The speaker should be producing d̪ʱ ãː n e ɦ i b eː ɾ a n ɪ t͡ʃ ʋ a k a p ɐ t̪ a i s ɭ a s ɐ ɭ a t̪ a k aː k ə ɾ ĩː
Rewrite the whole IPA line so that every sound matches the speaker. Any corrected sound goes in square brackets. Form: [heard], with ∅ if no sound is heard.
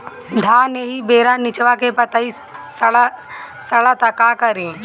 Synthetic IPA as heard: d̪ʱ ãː n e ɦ i b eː ɾ a n ɪ t͡ʃ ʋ a k [e] p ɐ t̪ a i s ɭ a s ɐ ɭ a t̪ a k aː k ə ɾ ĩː